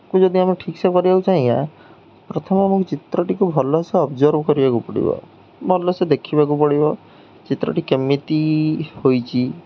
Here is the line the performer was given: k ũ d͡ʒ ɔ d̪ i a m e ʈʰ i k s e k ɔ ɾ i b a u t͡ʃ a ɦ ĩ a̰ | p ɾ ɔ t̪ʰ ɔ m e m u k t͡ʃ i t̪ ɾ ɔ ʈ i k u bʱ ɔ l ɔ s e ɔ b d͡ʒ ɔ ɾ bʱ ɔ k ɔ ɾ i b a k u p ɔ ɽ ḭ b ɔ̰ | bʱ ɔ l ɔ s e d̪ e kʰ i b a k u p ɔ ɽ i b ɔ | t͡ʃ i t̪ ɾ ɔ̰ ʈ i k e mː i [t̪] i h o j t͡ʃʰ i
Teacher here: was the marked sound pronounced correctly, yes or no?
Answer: yes